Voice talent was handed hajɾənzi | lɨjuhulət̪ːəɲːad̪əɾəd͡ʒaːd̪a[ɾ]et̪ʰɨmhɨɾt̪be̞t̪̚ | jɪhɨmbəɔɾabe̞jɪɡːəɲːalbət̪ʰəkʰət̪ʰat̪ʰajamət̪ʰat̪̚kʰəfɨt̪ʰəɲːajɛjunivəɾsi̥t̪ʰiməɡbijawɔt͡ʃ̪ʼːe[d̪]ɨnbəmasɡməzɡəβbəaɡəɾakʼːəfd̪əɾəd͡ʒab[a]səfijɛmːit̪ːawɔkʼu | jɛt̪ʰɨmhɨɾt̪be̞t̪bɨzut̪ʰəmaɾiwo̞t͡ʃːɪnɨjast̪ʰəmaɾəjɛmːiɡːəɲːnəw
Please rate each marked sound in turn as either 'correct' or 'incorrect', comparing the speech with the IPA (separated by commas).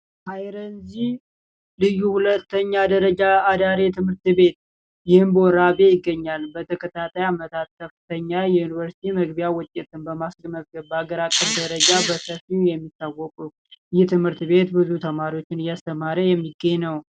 correct, incorrect, incorrect